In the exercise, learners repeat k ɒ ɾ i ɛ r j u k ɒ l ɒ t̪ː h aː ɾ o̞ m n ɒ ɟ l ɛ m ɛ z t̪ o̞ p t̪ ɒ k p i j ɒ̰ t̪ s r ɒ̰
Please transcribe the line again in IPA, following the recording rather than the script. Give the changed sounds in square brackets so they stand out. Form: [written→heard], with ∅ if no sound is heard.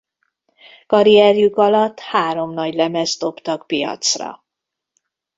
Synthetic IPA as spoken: k ɒ ɾ i ɛ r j u k ɒ l ɒ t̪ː h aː ɾ o̞ m n ɒ ɟ l ɛ m ɛ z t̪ o̞ p t̪ ɒ k p i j ɒ̰ t̪ s r ɒ̰